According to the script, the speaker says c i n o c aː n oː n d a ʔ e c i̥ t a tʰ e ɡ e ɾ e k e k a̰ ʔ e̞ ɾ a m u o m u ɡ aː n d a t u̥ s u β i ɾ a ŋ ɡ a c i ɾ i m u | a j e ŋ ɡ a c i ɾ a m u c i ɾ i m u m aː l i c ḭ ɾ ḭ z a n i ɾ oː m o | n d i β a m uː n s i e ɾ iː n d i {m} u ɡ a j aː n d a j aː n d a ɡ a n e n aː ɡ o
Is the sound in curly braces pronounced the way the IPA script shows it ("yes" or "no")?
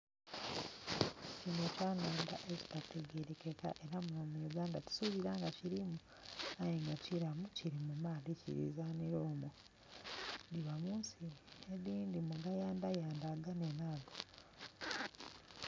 yes